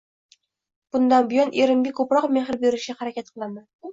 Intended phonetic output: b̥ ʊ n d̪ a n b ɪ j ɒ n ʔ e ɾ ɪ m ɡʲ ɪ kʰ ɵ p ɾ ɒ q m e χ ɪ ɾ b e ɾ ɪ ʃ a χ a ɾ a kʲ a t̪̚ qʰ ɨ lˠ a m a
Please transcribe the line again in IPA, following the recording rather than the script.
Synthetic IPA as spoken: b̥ ʊ n d̪ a n b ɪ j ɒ n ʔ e ɾ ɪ m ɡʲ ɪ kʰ ɵ p ɾ ɒ q m e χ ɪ ɾ b e ɾ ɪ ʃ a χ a ɾ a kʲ a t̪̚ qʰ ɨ lˠ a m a